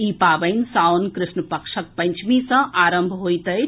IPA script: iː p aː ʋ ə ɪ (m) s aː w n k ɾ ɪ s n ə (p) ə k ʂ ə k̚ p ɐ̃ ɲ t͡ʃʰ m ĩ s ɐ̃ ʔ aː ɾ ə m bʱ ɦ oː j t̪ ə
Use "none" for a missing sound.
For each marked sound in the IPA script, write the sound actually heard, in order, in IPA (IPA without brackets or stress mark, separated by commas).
n, p